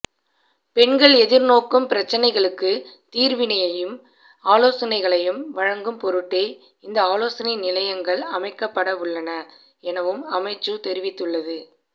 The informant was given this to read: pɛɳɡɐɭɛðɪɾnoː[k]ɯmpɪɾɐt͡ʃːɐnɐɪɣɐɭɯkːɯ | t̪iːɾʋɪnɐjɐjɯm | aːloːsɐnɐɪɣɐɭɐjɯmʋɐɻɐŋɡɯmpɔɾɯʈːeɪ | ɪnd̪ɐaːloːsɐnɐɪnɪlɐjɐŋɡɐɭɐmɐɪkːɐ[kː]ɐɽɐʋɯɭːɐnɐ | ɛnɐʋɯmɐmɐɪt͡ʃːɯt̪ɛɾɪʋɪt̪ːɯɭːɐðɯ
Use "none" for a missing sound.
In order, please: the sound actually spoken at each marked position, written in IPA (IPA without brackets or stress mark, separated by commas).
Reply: k, pː